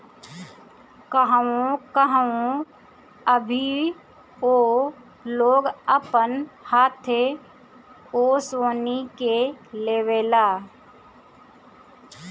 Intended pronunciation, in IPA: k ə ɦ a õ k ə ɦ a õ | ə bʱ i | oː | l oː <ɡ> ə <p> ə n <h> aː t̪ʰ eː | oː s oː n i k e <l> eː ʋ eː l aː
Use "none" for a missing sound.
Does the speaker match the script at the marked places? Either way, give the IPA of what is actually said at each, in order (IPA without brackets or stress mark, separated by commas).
ɡ, p, h, l